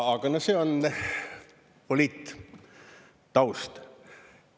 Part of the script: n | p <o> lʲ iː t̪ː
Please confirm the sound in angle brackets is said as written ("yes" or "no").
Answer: yes